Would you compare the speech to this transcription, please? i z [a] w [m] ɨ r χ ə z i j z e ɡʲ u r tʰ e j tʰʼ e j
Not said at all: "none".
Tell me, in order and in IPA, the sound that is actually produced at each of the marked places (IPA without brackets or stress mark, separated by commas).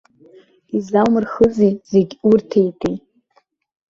a, m